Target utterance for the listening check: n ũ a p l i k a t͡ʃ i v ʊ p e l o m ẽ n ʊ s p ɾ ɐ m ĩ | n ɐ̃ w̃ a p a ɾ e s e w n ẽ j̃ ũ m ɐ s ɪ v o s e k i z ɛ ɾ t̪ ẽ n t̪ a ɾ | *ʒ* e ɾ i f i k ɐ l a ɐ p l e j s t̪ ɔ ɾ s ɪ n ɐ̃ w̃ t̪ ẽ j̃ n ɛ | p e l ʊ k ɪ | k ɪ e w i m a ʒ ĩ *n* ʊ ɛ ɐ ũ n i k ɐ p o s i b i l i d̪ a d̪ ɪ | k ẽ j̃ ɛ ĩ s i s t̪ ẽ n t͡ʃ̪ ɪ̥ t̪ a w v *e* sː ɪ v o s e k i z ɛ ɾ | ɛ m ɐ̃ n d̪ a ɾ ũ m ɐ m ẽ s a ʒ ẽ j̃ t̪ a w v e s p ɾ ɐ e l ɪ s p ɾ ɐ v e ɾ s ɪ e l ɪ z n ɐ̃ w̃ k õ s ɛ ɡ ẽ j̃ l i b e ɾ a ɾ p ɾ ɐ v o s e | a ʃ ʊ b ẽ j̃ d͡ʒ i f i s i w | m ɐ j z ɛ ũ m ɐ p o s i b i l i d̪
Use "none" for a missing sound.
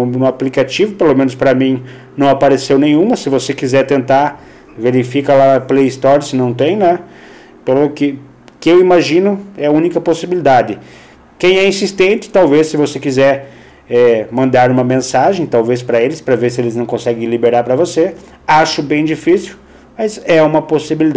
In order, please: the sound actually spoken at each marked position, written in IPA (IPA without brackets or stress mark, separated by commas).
v, n, e